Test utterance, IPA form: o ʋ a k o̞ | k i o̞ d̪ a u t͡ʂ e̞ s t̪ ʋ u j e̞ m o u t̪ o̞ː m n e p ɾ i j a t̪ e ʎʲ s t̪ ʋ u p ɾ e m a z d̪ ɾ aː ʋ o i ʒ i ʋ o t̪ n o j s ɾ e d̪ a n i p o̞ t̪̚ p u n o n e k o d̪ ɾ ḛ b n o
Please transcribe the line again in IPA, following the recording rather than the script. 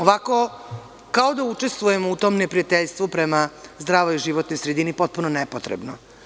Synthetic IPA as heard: o ʋ a k o̞ | k a o̞ d̪ a u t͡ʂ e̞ s t̪ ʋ u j e̞ m o u t̪ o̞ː m n e p ɾ i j a t̪ e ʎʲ s t̪ ʋ u p ɾ e m a z d̪ ɾ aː ʋ o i ʒ i ʋ o t̪ n o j s ɾ e d̪ i n i p o̞ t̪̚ p u n o n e p o t̪ ɾ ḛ b n o